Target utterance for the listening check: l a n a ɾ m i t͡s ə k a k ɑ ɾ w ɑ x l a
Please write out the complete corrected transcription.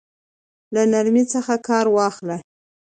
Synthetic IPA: l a n a ɾ m i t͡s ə x a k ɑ ɾ w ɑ x l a

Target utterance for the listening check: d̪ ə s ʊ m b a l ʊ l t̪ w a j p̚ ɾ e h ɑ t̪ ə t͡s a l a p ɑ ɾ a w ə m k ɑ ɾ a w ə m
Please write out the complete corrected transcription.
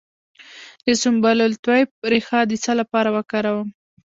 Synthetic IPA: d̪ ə s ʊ m b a l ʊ l t̪ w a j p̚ ɾ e x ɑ d̪ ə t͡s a l a p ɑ ɾ a w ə k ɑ ɾ a w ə m

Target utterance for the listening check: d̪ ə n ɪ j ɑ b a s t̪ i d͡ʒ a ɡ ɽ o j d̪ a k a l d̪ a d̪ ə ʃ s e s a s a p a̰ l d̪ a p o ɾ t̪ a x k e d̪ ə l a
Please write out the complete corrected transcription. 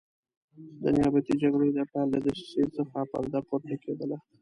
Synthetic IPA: d̪ ə n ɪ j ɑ b a t̪ i d͡ʒ a ɡ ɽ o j d̪ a p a l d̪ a d̪ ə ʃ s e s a x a p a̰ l d̪ a p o ɾ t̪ a k e d̪ ə l a

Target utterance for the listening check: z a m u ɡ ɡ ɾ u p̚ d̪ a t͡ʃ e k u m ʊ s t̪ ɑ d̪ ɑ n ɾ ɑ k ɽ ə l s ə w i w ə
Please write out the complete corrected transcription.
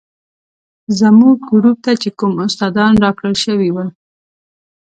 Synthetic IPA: z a m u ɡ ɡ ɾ u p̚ t̪ a t͡ʃ e k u m ʊ s t̪ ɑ d̪ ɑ n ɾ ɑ k ɽ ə l ʃ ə w i w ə

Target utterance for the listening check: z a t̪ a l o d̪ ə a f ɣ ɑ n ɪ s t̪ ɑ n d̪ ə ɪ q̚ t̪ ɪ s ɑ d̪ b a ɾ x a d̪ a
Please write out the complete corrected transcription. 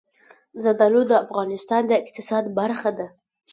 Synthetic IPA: z a d̪ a l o d̪ ə a f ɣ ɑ n ɪ s t̪ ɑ n d̪ ə ɪ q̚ t̪ ɪ s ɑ d̪ b a ɾ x a d̪ a

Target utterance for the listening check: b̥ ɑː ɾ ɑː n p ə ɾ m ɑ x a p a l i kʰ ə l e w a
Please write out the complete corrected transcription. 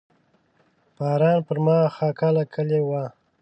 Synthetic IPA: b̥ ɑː ɾ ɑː n p ə ɾ m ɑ x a k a l a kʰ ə l e w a

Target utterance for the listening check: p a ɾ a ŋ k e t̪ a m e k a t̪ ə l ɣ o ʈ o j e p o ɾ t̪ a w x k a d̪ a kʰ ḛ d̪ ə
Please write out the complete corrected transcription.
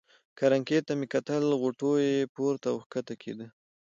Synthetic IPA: k a ɾ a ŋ k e t̪ a m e k a t̪ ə l ɣ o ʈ o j e p o ɾ t̪ a w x k a t̪ a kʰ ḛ d̪ ə

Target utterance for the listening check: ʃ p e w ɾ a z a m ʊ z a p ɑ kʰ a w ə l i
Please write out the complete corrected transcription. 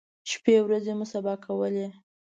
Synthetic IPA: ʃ p e w ɾ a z e m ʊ s a b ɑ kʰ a w ə l e

